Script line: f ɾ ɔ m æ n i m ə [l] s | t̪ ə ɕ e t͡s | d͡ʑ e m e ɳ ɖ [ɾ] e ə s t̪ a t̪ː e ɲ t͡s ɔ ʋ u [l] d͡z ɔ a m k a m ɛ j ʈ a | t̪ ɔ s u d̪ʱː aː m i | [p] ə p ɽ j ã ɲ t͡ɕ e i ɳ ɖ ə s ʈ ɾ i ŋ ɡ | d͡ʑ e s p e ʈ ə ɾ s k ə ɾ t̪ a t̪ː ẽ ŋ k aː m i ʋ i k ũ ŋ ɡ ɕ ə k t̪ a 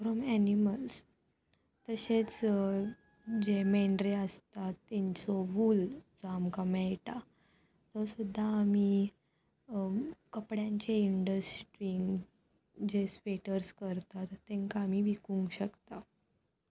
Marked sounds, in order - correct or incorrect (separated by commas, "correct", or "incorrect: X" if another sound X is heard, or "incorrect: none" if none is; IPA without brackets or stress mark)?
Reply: correct, correct, correct, incorrect: k